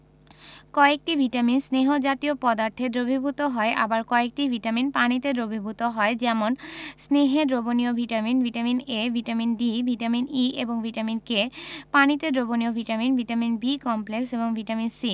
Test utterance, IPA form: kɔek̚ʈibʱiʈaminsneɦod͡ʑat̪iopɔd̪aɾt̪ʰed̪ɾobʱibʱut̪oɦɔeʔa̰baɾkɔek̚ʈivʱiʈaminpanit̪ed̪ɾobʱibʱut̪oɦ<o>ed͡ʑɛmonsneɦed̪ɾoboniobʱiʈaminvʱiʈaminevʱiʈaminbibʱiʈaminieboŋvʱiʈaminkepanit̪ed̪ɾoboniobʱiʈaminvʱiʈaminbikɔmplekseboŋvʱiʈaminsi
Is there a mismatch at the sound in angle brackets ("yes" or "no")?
yes